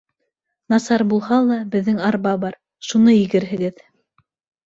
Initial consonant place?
alveolar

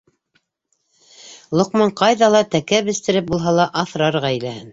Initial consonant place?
alveolar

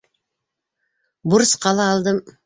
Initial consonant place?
labial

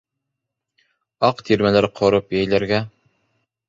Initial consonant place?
uvular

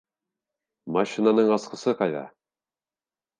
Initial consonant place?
labial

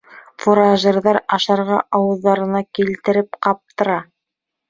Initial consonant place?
labial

